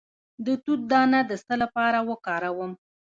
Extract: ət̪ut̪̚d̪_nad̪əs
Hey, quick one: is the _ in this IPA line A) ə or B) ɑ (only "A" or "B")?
B